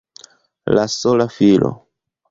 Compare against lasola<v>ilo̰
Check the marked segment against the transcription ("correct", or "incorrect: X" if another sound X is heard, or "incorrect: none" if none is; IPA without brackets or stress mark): incorrect: f